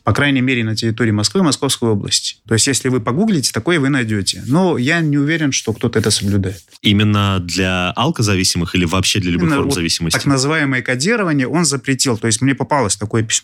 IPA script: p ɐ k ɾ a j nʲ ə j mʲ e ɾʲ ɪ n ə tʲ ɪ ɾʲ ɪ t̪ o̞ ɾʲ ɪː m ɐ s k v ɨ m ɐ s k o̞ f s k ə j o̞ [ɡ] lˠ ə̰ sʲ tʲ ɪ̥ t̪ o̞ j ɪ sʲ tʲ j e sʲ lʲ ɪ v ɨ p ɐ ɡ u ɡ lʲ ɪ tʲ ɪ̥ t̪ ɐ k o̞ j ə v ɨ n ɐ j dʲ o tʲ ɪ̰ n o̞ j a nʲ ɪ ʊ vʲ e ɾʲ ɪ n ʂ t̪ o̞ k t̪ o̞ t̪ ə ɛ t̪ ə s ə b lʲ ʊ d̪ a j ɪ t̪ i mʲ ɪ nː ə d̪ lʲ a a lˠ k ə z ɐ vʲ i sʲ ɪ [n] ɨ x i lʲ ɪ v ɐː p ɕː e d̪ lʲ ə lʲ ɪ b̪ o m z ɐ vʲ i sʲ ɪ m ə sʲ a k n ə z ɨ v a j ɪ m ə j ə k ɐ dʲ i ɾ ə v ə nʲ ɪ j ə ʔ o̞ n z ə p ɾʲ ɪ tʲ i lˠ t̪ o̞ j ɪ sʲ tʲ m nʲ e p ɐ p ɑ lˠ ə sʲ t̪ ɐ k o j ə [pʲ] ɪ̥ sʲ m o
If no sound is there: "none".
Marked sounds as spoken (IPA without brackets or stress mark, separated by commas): b, m, pʲ